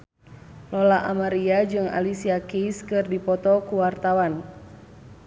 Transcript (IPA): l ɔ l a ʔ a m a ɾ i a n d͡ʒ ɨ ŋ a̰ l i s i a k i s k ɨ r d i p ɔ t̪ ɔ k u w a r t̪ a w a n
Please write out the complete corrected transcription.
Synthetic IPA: l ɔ l a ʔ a m a ɾ i a d͡ʒ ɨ ŋ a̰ l i s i a k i s k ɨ r d i p ɔ t̪ ɔ k u w a r t̪ a w a n